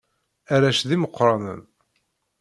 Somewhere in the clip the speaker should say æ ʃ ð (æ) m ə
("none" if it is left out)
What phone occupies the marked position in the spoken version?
i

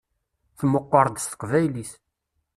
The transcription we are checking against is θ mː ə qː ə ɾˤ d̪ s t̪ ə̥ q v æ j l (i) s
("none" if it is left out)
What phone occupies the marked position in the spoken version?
i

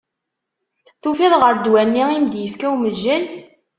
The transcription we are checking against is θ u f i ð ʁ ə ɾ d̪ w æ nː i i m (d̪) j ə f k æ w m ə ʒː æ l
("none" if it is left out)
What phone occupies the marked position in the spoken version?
d̪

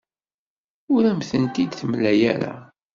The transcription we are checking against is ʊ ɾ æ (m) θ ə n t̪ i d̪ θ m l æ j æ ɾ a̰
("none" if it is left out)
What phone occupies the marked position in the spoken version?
m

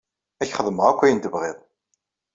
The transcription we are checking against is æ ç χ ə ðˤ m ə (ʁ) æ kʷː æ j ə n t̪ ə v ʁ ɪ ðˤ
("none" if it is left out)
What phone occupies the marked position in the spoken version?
ʁ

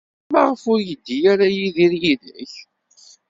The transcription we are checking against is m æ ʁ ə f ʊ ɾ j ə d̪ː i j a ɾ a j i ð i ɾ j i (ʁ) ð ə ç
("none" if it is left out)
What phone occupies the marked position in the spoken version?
none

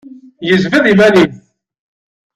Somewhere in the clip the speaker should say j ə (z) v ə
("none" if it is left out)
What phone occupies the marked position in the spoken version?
z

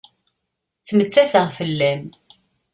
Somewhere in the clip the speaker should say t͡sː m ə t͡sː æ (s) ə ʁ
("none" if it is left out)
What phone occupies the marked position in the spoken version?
θ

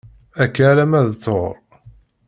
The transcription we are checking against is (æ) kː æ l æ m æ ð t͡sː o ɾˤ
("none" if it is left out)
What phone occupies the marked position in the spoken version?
æ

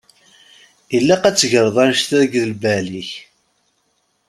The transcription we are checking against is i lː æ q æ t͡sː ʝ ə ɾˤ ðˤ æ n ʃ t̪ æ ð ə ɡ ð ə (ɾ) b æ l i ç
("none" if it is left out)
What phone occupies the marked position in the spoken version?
l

